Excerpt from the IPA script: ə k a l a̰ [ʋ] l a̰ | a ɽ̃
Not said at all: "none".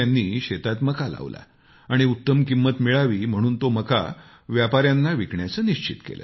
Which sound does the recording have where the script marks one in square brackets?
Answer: ʋ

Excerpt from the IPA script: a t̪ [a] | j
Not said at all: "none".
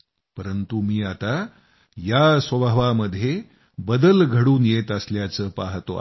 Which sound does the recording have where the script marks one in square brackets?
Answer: a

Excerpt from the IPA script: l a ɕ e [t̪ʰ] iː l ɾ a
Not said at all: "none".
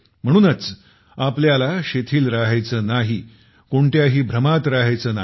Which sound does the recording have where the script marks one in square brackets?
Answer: t̪ʰ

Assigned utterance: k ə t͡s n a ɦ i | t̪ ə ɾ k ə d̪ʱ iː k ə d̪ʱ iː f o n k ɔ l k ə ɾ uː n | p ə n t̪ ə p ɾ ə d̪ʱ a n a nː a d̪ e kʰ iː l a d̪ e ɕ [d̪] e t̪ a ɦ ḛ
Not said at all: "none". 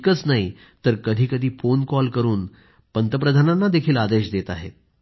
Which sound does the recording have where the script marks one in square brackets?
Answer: d̪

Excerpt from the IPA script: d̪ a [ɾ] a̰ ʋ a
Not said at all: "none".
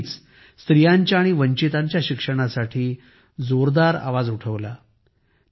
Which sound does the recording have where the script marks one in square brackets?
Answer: ɾ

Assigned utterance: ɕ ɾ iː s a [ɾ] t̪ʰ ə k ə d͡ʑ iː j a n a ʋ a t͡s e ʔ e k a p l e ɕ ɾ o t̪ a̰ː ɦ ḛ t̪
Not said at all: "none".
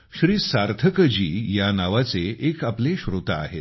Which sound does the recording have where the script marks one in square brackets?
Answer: ɾ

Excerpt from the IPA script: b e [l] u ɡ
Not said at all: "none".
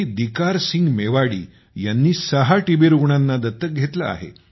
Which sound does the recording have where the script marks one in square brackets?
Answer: ɾ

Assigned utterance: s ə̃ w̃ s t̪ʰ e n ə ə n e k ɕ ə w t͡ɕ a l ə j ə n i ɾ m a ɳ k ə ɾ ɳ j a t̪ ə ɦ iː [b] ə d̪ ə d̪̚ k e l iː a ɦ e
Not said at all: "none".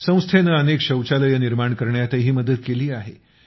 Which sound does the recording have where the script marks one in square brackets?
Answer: m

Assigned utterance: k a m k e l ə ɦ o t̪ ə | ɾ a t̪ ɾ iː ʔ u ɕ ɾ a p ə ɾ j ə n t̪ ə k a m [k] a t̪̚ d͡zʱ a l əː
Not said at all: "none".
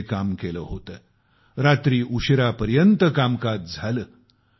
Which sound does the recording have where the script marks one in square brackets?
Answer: k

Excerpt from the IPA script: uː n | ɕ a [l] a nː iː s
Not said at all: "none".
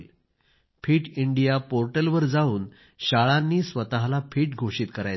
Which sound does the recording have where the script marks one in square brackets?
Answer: ɭ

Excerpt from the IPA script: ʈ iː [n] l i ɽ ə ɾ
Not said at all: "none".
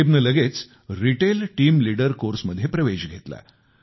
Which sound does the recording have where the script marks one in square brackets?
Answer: m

